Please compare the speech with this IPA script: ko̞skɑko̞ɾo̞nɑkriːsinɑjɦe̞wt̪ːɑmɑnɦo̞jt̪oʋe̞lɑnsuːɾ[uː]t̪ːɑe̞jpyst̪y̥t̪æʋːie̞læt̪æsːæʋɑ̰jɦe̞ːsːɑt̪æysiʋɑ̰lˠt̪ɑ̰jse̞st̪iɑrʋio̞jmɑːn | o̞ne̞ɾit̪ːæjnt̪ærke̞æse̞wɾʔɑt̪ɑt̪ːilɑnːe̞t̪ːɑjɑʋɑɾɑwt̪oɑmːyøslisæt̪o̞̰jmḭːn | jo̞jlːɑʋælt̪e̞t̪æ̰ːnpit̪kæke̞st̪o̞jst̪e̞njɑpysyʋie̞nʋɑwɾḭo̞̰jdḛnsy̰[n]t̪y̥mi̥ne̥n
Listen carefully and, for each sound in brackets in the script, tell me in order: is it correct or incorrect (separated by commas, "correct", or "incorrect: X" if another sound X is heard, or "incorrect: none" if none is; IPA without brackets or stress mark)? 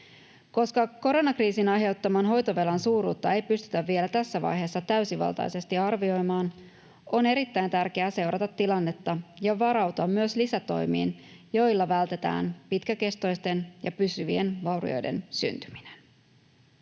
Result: correct, correct